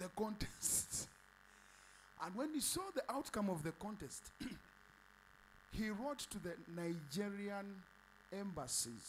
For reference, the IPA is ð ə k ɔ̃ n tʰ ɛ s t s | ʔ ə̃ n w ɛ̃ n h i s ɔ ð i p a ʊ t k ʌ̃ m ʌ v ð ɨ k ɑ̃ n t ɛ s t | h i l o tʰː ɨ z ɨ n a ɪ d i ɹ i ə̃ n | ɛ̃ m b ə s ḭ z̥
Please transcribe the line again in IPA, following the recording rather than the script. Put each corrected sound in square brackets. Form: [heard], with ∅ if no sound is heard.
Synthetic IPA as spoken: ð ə k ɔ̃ n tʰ ɛ s t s | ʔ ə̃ n w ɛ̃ n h i s ɔ ð i [ʔ] a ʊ t k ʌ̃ m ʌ v ð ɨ k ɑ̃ n t ɛ s t | h i [ɹ] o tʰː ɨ [ð] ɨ n a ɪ [d͡ʒ] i ɹ i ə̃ n | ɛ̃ m b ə s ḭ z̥